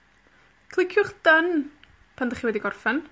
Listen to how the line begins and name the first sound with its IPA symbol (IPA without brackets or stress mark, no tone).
kʰ